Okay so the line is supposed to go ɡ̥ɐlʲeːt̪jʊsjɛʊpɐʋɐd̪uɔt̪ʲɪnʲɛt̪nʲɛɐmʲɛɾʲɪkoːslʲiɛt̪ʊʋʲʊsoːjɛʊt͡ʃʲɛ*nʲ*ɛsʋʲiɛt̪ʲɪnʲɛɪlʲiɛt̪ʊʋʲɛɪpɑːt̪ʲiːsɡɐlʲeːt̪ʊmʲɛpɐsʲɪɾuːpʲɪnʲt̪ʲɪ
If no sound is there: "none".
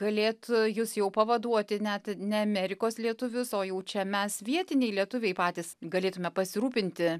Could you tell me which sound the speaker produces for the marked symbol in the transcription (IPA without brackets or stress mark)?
mʲ